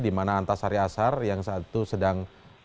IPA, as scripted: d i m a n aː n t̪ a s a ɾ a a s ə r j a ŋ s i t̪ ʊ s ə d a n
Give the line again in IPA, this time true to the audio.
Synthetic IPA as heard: d i m a n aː n t̪ a s a ɾ i a s a r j a ŋ s a t̪ u s ə d a ŋ